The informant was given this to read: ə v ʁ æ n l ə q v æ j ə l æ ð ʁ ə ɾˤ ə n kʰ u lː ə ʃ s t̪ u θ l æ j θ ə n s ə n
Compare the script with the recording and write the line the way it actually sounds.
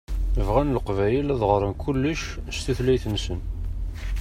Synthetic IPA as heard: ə v ʁ æ n l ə q v æ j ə l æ ð ʁ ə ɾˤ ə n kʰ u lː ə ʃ s t̪ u θ l æ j θ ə n s ə n

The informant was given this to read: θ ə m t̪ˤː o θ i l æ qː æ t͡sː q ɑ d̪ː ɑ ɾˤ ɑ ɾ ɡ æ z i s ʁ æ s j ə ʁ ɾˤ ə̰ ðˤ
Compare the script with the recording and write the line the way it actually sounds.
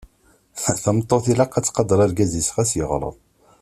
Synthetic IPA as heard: θ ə m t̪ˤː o θ i l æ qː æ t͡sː q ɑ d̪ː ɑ ɾˤ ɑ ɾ ɡ æ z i s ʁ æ s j ə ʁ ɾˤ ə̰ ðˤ

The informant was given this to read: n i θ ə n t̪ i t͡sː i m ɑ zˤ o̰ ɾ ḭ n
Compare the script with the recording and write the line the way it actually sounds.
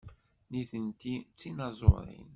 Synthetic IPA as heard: n i θ ə n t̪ i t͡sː i n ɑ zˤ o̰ ɾ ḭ n

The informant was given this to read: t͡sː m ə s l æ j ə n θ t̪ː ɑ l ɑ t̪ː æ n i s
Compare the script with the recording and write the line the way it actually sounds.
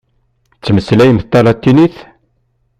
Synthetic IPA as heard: t͡sː m ə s l æ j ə m θ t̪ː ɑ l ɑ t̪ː i n i θ

